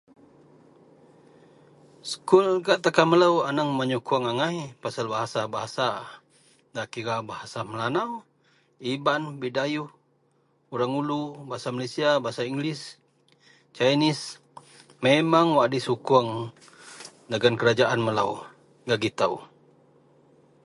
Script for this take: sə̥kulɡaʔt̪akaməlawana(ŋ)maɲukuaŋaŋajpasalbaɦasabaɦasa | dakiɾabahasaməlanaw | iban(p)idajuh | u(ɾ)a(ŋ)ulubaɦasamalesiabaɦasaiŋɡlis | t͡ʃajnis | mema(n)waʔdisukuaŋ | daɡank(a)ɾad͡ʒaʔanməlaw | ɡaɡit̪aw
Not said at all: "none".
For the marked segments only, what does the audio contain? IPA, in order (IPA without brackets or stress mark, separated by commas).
ŋ, b, ɾ, ŋ, ŋ, ə